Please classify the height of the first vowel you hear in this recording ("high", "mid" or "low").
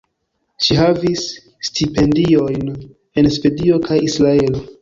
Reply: high